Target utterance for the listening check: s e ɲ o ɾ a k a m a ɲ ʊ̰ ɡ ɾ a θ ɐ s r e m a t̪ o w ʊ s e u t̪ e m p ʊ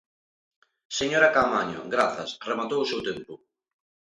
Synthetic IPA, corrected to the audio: s e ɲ o ɾ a k a m a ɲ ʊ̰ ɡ ɾ a θ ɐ s r e m a t̪ o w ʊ s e w t̪ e m p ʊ